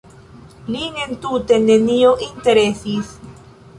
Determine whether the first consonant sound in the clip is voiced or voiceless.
voiced